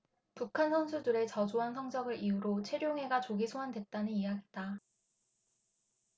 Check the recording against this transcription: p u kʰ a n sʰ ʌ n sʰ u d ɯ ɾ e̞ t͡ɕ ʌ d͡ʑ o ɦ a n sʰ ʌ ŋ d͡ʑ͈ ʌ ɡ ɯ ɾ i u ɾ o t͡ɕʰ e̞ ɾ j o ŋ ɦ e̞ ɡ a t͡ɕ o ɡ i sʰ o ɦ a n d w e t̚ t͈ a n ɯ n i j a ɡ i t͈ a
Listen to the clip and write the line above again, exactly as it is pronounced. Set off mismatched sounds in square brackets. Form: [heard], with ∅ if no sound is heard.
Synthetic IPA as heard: p u kʰ a n sʰ ʌ n sʰ u d ɯ ɾ e̞ t͡ɕ ʌ d͡ʑ o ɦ a n sʰ ʌ ŋ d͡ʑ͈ ʌ ɡ ɯ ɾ i u ɾ o t͡ɕʰ e̞ ɾ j o ŋ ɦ e̞ ɡ a t͡ɕ o ɡ i sʰ o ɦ a n d w e t̚ t͈ a n ɯ n i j a ɡ i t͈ a